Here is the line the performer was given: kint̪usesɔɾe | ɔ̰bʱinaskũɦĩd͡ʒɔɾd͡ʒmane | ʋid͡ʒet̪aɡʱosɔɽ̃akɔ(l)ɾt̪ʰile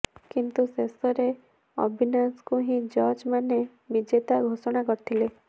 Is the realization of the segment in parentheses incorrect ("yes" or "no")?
yes